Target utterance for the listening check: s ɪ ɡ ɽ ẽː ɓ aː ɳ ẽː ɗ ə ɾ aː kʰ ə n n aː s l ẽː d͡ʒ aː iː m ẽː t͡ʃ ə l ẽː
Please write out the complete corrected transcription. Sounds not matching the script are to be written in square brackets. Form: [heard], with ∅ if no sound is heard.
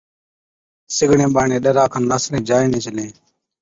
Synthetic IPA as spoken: s ɪ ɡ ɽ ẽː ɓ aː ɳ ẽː ɗ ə ɾ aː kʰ ə n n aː s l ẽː d͡ʒ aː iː [n] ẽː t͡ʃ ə l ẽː

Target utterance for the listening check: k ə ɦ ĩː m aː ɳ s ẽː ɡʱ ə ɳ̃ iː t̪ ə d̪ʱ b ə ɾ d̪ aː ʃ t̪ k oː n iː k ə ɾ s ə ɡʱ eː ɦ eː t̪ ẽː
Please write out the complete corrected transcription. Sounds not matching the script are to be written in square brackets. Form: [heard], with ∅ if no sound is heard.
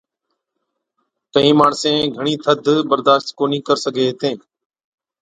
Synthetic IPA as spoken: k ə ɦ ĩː m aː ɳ s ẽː ɡʱ ə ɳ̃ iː [t̪ʰ] ə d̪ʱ b ə ɾ d̪ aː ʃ t̪ k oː n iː k ə ɾ s ə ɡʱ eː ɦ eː t̪ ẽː

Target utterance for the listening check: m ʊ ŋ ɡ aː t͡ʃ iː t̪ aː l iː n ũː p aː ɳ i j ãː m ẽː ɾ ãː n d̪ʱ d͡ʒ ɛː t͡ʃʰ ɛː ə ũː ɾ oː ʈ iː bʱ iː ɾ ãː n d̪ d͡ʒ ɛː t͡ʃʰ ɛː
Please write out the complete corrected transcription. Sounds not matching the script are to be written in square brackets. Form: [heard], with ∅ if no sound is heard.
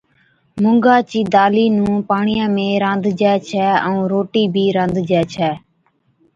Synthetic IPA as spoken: m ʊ ŋ ɡ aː t͡ʃ iː [d̪] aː l iː n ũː p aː ɳ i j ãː m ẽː ɾ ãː n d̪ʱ d͡ʒ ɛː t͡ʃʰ ɛː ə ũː ɾ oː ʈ iː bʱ iː ɾ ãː n d̪ d͡ʒ ɛː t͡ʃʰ ɛː

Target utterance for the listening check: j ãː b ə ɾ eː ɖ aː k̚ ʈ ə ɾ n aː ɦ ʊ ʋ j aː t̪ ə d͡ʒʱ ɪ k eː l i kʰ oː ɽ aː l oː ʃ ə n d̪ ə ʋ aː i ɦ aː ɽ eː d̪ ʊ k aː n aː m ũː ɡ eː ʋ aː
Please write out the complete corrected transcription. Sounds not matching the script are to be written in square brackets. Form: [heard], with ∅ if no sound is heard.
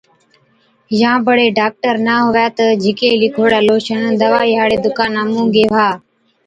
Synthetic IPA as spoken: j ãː b ə [ɽ] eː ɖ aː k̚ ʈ ə ɾ n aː ɦ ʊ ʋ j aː t̪ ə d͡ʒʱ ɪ k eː l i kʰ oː ɽ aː l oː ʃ ə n d̪ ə ʋ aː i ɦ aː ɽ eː d̪ ʊ k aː n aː m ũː ɡ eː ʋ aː

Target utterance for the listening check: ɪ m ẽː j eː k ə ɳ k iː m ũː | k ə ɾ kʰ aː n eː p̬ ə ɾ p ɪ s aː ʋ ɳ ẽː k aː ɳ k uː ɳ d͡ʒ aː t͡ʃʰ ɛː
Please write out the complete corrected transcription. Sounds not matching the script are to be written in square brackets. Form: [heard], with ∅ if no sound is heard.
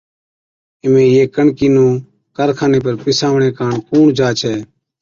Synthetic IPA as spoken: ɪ m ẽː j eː k ə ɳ k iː [n] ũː | k ə ɾ kʰ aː n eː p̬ ə ɾ p ɪ s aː ʋ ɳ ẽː k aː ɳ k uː ɳ d͡ʒ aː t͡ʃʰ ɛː

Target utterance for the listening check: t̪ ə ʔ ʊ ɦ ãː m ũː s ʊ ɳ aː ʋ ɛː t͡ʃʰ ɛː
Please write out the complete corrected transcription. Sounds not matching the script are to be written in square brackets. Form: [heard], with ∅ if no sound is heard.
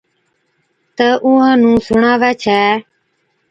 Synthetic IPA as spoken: t̪ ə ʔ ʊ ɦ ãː [n] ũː s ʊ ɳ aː ʋ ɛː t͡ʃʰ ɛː

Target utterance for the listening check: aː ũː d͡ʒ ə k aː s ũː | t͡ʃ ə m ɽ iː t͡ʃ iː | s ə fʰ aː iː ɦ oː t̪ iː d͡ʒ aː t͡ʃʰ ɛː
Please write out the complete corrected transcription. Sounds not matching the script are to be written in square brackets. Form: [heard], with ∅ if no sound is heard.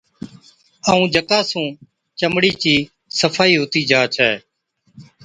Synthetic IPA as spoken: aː ũː d͡ʒ ə k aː s ũː | t͡ʃ ə m ɽ iː t͡ʃ iː | s ə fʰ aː iː ɦ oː t̪ iː d͡ʒ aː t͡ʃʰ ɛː

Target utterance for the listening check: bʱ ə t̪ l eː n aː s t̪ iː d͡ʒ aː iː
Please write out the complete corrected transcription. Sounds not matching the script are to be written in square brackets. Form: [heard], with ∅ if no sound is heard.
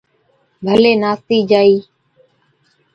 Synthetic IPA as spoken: bʱ ə [∅] l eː n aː s t̪ iː d͡ʒ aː iː

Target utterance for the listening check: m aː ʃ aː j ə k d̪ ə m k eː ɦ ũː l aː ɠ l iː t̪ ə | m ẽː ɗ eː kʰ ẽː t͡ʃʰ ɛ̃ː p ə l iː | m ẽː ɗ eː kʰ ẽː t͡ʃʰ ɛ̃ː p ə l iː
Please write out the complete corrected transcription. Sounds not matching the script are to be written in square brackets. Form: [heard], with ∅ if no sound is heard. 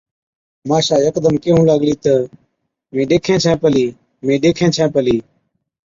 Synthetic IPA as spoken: m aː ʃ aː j ə k d̪ ə m k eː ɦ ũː l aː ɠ l iː t̪ ə | m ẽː ɗ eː kʰ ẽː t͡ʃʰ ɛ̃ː p ə l iː | m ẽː ɗ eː kʰ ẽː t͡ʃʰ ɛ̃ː p ə l iː

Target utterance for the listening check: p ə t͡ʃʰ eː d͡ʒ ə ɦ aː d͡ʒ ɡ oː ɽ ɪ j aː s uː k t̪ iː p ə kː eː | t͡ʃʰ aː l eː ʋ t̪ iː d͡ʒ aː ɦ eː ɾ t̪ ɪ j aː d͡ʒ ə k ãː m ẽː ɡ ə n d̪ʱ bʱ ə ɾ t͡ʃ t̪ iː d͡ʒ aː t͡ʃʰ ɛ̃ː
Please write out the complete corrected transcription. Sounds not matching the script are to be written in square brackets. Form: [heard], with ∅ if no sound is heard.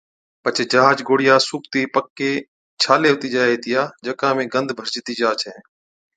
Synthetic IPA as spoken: p ə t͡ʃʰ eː d͡ʒ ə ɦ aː d͡ʒ ɡ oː ɽ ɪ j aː s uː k t̪ iː p ə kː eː | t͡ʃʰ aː l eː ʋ t̪ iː d͡ʒ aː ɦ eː [∅] t̪ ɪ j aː d͡ʒ ə k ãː m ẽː ɡ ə n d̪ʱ bʱ ə ɾ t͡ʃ t̪ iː d͡ʒ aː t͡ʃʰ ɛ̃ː

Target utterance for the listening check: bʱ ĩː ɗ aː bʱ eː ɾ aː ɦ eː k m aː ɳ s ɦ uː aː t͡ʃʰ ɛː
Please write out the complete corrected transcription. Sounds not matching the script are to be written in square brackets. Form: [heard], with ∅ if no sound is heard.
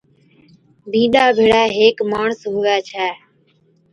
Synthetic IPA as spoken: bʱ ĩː ɗ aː bʱ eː [ɽ] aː ɦ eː k m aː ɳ s ɦ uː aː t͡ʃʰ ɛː

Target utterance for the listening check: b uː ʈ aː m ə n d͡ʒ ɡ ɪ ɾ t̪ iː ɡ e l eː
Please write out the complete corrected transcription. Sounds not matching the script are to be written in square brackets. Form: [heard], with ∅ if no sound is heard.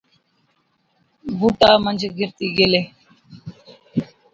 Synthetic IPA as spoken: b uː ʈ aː m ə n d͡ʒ ɡ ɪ ɾ t̪ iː ɡ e l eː

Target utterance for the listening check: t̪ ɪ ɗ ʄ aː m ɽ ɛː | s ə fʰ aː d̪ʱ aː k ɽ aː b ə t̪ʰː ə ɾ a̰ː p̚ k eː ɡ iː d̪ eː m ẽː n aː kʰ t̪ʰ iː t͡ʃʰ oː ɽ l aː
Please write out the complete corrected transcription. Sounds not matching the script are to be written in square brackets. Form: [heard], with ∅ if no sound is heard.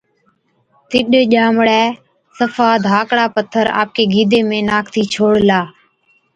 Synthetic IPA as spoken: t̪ ɪ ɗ ʄ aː m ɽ ɛː | s ə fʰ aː d̪ʱ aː k ɽ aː [p] ə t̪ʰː ə ɾ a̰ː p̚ k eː ɡ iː d̪ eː m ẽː n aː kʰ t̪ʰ iː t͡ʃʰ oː ɽ l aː

